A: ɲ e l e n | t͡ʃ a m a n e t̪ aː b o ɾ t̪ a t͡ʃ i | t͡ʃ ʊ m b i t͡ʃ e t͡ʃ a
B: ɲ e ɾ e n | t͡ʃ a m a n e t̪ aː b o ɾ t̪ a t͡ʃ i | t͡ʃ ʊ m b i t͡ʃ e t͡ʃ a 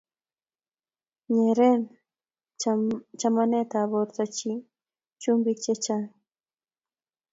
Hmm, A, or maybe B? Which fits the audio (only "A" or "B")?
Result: B